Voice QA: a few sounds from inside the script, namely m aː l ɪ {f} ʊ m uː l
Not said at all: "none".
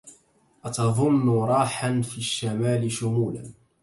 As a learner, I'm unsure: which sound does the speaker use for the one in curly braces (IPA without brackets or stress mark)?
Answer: ʃ